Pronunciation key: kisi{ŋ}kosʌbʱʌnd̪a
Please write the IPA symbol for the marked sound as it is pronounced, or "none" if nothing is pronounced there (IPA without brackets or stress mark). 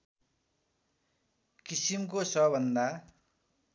m